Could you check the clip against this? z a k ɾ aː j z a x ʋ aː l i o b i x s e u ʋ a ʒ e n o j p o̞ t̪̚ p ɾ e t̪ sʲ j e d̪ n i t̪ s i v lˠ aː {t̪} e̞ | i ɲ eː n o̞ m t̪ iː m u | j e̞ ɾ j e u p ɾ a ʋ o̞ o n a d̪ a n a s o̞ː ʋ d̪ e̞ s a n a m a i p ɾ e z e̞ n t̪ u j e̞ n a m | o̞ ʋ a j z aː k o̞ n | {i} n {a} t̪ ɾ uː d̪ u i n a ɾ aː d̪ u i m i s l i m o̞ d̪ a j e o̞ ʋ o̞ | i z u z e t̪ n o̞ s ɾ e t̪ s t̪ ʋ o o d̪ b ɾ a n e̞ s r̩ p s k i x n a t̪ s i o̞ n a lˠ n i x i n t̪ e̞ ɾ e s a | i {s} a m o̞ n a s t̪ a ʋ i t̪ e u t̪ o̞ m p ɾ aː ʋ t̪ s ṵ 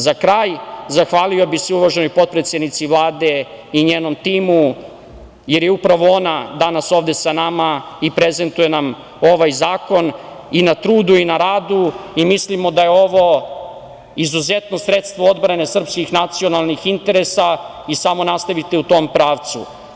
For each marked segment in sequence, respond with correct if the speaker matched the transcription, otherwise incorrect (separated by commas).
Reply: incorrect, correct, correct, correct